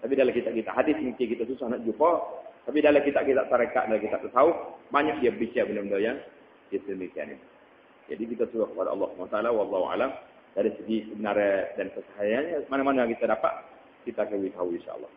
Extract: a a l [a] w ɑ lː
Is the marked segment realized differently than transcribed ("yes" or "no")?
no